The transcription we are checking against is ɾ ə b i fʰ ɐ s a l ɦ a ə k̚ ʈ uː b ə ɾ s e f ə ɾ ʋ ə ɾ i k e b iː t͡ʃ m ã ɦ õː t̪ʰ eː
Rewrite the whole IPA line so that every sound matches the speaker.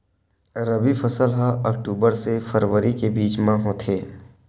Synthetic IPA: ɾ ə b i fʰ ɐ s ə l ɦ a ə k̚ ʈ uː b ə ɾ s e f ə ɾ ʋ ə ɾ i k e b iː t͡ʃ m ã ɦ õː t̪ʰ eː